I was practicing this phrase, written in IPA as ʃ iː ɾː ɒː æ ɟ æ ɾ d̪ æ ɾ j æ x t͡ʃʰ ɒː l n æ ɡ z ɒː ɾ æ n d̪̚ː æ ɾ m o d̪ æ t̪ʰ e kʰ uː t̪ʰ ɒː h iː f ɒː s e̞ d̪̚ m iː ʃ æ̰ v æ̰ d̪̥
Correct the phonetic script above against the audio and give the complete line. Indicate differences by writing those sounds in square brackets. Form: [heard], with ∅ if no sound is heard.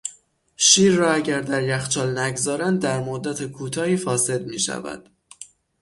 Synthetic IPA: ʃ iː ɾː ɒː æ ɟ æ ɾ d̪ æ ɾ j æ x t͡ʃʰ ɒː l n æ ɡ z ɒː ɾ æ n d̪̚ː æ ɾ m o [d̪ː] æ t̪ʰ e kʰ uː t̪ʰ ɒː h iː f ɒː s e̞ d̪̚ m iː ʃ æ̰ v æ̰ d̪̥